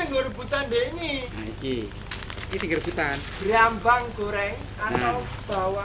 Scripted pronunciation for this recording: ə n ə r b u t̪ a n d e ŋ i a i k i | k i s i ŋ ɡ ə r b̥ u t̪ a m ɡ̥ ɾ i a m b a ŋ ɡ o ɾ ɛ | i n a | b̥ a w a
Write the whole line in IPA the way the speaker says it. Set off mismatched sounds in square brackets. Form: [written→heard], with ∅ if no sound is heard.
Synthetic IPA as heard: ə [n→ŋ] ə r b u t̪ a n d e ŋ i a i k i | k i s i ŋ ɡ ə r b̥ u t̪ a [m→n] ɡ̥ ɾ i a m b a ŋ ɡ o ɾ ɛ | [i→a] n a | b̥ a w a

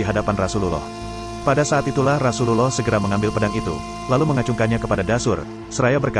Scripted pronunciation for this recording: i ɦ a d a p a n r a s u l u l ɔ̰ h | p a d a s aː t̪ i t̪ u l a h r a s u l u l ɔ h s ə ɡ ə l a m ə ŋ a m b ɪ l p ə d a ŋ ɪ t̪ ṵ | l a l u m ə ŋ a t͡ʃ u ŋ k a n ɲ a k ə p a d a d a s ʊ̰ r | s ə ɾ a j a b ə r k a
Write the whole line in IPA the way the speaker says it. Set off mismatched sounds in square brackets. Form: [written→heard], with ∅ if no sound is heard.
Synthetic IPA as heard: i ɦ a d a p a n r a s u l u l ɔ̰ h | p a d a s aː t̪ i t̪ u l a h r a s u l u l ɔ h s ə ɡ ə [l→ɾ] a m ə ŋ a m b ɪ l p ə d a ŋ [ɪ→i] t̪ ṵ | l a l u m ə ŋ a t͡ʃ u ŋ k a n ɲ a k ə p a d a d a s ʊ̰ r | s ə ɾ a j a b ə r k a

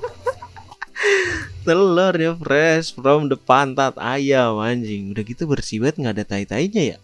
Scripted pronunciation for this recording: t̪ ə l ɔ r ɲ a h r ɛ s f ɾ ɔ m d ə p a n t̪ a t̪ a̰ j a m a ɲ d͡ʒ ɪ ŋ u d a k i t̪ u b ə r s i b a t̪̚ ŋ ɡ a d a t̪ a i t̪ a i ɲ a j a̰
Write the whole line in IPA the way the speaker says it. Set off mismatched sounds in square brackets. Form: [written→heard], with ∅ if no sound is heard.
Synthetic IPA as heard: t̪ ə l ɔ r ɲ a [h→f] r ɛ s f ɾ ɔ m d ə p a n t̪ a t̪ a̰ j a m a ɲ d͡ʒ ɪ ŋ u d a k i t̪ u b ə r s i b a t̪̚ ŋ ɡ a d a t̪ a i t̪ a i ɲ a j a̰

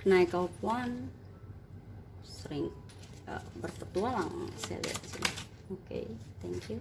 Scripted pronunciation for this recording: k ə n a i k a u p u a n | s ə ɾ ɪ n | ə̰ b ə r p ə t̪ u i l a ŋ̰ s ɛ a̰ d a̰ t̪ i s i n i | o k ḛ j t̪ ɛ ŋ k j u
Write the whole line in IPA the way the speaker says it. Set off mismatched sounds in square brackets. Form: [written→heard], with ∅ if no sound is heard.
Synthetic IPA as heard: k ə n a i k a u p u a n | s ə ɾ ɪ [n→ŋ] | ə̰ b ə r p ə t̪ u [i→a] l a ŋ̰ s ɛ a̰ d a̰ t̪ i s i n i | o k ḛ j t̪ ɛ ŋ k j u

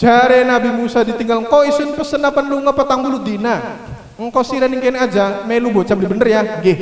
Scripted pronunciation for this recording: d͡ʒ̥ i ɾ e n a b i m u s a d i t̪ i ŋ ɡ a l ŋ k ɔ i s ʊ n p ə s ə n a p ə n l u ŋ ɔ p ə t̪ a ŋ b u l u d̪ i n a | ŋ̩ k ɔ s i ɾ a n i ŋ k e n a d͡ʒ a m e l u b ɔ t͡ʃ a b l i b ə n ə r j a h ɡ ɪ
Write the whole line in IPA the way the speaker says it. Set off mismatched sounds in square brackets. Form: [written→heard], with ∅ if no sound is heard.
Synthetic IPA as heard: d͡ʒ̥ [i→a] ɾ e n a b i m u s a d i t̪ i ŋ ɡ a l ŋ k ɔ i s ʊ n p ə s ə n a p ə n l u ŋ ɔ p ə t̪ a ŋ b u l u d̪ i n a | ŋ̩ k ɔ s i ɾ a n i ŋ k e n a d͡ʒ a m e l u b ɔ t͡ʃ a b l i b ə n ə r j a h ɡ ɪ

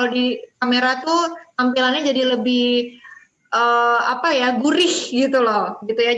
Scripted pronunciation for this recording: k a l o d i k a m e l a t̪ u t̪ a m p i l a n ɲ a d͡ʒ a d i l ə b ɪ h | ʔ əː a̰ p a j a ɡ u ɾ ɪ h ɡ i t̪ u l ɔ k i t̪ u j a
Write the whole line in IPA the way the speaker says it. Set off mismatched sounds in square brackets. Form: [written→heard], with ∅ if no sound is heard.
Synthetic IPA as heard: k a l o d i k a m e [l→ɾ] a t̪ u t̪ a m p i l a n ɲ a d͡ʒ a d i l ə b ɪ h | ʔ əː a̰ p a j a ɡ u ɾ ɪ h ɡ i t̪ u l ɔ [k→ɡ] i t̪ u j a

